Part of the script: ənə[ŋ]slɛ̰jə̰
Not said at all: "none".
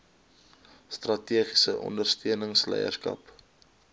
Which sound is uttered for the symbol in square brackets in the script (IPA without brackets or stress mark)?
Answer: ŋ